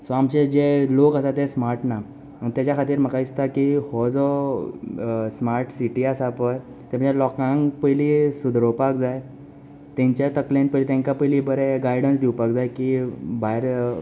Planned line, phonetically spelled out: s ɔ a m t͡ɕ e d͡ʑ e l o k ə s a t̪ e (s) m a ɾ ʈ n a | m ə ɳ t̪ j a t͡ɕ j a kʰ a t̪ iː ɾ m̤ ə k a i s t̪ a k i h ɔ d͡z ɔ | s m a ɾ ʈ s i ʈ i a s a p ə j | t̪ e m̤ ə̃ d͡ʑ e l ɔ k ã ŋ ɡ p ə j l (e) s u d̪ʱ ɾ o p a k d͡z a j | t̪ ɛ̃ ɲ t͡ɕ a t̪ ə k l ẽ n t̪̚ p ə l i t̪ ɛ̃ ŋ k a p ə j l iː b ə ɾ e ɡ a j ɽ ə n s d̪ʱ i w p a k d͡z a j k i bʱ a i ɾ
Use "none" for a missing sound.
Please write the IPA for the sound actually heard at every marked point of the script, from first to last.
s, i

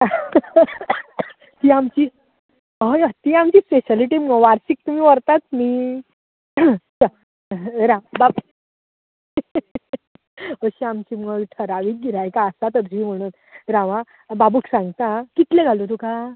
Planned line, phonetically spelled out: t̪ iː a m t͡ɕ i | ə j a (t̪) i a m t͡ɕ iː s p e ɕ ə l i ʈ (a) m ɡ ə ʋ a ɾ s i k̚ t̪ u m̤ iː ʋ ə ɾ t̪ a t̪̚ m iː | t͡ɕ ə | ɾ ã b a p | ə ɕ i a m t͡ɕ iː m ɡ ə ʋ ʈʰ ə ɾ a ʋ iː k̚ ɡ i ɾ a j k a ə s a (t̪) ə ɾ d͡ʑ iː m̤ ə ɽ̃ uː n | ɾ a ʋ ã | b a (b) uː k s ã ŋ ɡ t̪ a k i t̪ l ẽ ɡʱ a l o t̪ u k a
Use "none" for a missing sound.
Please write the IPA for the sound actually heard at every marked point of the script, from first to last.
t̪, i, t̪, b

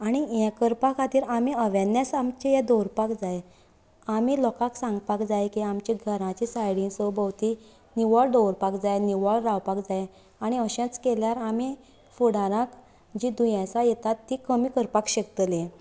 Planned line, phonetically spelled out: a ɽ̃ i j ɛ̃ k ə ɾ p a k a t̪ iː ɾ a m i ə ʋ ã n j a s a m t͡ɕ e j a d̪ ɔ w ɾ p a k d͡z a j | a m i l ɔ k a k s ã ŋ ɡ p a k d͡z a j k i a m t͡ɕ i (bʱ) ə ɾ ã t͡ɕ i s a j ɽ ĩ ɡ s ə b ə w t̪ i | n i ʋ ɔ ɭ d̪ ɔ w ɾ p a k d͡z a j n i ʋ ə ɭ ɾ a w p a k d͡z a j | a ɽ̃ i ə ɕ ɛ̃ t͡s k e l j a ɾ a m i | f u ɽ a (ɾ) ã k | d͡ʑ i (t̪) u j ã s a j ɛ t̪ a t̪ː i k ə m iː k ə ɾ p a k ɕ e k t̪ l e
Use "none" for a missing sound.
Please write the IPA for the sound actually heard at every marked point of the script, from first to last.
ɡʱ, ɾ, d̪

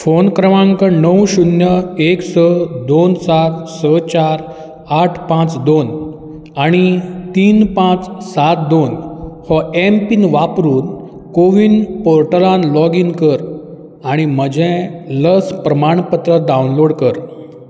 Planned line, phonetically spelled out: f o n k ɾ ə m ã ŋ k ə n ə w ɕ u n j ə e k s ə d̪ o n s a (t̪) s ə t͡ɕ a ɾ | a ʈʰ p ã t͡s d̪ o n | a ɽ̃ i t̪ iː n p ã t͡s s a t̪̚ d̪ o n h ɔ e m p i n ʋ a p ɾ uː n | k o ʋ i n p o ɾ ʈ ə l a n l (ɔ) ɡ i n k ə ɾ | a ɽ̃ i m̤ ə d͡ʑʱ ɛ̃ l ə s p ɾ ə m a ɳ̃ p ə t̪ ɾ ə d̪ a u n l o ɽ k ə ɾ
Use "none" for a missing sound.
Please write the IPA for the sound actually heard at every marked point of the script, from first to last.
t̪, ɔ

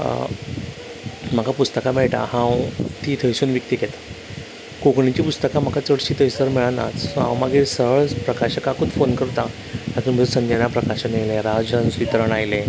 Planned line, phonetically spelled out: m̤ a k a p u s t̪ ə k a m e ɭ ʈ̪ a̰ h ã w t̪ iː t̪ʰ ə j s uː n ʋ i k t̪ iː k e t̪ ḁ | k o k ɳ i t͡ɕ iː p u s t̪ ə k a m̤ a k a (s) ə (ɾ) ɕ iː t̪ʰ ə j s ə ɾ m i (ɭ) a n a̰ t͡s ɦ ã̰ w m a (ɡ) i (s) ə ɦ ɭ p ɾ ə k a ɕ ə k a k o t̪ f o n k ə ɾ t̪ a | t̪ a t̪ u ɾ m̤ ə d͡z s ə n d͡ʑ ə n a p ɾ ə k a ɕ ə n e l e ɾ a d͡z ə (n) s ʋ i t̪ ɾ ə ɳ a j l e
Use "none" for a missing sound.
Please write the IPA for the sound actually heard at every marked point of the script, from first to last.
t͡s, ɽ, ɭ, ɡ, s, n

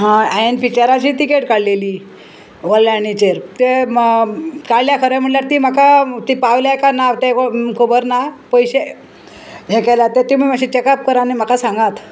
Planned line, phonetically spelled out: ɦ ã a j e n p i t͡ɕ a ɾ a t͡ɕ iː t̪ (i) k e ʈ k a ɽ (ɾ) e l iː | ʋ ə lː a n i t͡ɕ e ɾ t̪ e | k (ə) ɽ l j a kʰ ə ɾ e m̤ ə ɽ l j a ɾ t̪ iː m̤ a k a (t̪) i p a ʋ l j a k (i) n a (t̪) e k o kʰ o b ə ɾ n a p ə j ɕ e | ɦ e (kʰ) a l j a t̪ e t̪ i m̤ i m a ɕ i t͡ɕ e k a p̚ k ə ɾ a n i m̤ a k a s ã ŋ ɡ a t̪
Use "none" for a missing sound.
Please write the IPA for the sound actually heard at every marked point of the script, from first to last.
i, l, a, t̪, a, t̪, k

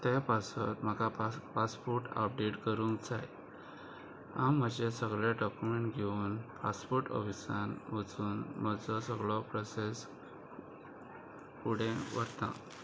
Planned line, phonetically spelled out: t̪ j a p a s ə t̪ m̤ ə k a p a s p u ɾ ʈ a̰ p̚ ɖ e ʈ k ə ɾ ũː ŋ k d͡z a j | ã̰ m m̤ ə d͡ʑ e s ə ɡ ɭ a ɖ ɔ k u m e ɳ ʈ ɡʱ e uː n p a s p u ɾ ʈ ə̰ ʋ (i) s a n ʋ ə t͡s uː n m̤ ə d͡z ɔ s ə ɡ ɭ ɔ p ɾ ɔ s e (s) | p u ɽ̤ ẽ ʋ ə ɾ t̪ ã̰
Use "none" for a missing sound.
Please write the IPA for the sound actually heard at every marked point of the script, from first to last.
i, s

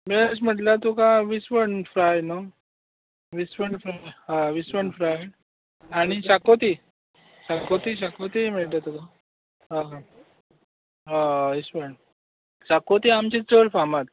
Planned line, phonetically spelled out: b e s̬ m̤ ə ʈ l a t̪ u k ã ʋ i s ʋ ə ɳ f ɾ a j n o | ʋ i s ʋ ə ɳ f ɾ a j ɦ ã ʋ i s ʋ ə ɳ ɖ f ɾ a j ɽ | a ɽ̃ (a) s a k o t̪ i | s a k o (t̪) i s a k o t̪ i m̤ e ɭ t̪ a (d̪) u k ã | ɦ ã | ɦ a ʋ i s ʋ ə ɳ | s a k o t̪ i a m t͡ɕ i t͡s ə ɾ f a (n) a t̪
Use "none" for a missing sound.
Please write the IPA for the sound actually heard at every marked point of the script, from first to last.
i, t̪, t̪, m

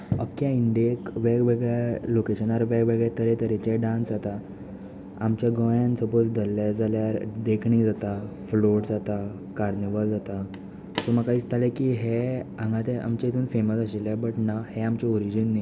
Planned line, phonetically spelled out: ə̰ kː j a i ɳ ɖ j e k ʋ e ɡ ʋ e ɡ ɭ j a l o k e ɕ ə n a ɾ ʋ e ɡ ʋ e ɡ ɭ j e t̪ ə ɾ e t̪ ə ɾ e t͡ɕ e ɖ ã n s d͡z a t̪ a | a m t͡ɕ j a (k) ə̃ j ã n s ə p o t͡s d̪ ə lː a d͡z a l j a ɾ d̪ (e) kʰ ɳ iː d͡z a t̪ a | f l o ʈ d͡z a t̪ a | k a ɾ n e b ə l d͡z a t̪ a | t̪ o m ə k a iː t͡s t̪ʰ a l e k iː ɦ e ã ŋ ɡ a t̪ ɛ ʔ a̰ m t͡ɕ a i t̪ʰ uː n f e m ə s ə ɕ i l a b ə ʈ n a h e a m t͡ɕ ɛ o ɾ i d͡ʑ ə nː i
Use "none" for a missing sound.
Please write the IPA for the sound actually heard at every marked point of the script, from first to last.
ɡ, e

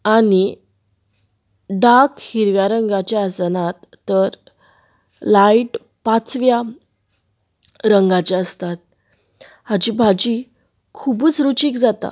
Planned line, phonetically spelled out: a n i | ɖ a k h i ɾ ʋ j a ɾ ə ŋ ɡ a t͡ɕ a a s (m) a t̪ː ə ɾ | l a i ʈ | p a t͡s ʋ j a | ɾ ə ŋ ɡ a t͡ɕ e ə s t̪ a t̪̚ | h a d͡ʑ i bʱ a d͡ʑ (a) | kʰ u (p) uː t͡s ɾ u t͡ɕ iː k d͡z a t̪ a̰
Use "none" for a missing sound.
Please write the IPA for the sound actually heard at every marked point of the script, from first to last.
n, i, b

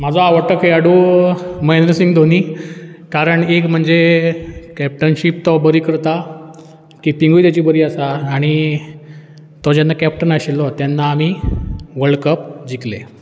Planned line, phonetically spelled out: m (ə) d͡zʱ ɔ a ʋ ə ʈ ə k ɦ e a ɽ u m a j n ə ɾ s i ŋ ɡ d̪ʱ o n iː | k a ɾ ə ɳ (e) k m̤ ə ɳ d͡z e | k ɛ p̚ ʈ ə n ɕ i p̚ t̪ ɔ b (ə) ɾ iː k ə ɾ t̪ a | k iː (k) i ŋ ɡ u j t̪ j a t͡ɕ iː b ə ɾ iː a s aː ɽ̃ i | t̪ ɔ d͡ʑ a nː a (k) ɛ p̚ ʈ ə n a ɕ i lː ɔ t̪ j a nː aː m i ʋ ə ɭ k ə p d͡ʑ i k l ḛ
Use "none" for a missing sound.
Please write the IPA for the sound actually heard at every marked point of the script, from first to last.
a, e, ə, p, k

